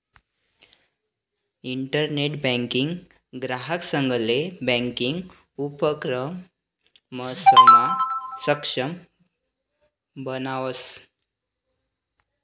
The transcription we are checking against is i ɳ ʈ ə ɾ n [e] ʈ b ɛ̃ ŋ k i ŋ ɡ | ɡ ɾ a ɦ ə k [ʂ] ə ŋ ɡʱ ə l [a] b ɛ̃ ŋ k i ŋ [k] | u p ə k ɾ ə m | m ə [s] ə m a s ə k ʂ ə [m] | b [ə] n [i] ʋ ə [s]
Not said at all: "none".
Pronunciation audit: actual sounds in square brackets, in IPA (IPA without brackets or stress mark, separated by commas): e, s, e, ɡ, s, m, ə, a, s